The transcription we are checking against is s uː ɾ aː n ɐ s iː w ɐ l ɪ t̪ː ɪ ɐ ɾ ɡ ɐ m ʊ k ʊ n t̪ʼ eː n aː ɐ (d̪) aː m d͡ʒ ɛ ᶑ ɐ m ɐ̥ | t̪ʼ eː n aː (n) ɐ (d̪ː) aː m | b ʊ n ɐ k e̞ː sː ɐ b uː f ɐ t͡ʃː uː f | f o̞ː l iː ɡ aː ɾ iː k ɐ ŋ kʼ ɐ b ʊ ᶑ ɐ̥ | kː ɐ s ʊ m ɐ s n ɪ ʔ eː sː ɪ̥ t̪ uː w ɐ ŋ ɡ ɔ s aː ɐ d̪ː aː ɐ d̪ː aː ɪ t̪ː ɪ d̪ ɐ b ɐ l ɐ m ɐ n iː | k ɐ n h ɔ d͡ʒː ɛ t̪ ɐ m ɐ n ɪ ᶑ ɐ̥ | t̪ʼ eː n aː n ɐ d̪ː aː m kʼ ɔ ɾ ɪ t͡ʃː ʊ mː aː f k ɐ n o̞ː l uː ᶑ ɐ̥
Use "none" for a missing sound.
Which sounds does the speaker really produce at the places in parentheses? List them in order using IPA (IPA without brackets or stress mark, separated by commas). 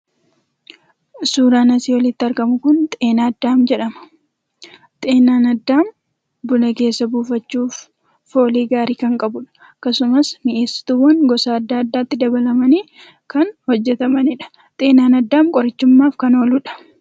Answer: d̪ː, n, d̪ː